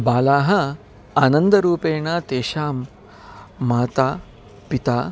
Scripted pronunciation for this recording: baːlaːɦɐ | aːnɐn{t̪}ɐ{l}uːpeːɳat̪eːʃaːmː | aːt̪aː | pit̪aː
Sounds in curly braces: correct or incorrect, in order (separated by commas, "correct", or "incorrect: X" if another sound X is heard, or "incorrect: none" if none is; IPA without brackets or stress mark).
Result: incorrect: d̪, incorrect: ɾ